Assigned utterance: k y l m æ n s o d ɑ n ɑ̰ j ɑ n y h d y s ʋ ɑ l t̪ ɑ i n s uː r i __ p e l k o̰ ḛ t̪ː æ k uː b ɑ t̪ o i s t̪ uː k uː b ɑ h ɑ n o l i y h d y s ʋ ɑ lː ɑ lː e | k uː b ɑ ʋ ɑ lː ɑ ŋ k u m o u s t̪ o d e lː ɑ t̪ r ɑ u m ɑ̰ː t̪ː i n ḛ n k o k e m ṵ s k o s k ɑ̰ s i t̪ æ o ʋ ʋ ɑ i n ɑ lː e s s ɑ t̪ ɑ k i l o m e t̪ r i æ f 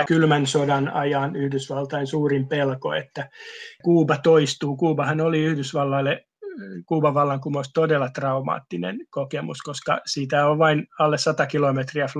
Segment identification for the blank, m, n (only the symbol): m